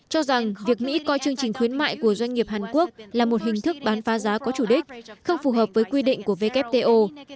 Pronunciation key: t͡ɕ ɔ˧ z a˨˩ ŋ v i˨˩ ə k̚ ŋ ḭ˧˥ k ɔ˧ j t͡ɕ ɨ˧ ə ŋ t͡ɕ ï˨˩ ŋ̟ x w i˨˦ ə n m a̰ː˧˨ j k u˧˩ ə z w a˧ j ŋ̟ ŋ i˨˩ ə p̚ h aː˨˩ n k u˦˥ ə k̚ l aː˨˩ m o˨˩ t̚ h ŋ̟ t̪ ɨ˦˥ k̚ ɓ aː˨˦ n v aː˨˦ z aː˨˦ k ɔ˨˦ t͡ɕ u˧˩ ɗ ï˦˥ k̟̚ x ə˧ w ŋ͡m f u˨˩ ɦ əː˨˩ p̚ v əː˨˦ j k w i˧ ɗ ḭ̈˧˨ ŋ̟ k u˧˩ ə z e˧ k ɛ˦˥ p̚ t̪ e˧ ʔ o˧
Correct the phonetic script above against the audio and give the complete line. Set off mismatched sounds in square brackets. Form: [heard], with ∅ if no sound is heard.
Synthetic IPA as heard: t͡ɕ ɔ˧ z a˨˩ ŋ v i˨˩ ə k̚ [m] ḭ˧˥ k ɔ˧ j t͡ɕ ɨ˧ ə ŋ t͡ɕ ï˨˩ ŋ̟ x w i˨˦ ə n m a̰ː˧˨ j k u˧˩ ə z w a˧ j ŋ̟ ŋ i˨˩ ə p̚ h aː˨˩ n k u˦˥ ə k̚ l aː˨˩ m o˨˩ t̚ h ŋ̟ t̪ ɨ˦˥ k̚ ɓ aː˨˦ n [f] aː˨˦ z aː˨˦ k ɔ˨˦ t͡ɕ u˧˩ ɗ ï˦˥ k̟̚ x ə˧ w ŋ͡m f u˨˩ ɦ əː˨˩ p̚ v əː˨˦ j k w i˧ ɗ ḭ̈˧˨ ŋ̟ k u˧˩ ə [v] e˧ k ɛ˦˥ p̚ t̪ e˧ ʔ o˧